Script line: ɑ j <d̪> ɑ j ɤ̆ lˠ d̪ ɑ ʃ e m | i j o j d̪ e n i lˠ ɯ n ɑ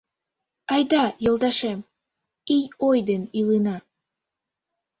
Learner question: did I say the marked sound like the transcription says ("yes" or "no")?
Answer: yes